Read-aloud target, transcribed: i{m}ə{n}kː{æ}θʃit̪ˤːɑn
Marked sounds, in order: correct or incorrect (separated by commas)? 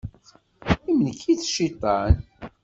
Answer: correct, correct, incorrect